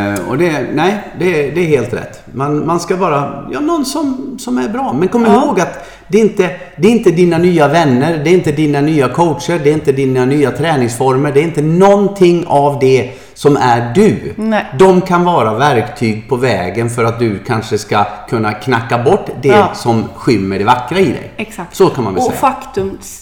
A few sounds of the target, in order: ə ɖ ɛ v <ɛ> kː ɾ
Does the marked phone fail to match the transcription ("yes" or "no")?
yes